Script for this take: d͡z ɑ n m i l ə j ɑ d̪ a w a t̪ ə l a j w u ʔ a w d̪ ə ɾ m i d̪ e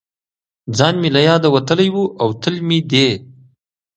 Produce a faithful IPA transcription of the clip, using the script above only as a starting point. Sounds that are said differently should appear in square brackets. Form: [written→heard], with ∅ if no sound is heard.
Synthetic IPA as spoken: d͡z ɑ n m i l [ə→a] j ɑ d̪ a w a t̪ ə l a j w u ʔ a w [d̪→t̪] ə [ɾ→l] m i d̪ e